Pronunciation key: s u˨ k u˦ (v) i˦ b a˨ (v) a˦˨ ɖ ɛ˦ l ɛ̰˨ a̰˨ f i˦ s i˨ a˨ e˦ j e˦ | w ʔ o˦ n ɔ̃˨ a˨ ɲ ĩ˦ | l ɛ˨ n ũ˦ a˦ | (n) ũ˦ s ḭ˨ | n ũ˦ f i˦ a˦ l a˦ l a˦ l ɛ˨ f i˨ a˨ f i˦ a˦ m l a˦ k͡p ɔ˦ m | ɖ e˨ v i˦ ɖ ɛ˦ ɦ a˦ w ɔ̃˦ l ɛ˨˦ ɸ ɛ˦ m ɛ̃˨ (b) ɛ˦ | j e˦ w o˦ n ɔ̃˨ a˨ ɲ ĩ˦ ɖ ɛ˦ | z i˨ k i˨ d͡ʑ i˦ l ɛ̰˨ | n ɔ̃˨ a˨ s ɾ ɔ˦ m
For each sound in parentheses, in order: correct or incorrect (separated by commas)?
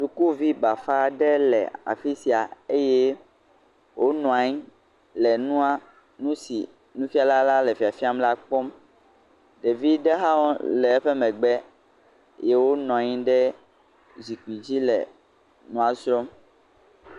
correct, incorrect, correct, incorrect